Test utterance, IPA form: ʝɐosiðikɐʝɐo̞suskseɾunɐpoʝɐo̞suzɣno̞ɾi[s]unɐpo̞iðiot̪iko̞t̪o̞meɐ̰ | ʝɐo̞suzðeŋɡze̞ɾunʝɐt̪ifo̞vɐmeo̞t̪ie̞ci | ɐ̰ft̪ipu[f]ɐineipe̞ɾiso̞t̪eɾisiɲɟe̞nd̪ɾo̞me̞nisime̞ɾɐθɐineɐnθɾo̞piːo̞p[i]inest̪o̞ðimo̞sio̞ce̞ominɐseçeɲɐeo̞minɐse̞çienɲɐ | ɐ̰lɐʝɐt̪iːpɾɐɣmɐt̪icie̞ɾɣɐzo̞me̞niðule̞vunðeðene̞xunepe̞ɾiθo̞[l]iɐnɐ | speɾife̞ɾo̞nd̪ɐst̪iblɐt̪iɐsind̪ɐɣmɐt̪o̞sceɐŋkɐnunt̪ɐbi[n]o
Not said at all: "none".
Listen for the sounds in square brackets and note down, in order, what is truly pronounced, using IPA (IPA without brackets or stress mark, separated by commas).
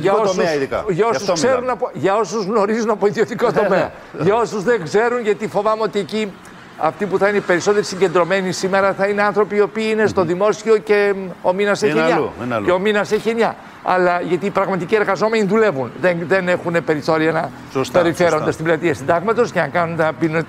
z, θ, iː, ɾ, n